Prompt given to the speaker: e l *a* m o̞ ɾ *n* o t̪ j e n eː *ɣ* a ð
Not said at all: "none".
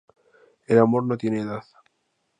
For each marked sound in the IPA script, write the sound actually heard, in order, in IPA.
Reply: a, n, ð

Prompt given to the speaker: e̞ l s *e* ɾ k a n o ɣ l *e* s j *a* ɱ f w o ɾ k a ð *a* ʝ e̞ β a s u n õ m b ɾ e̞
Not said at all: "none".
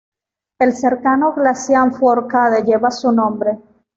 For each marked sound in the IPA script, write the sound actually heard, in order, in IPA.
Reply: e, a, a, e

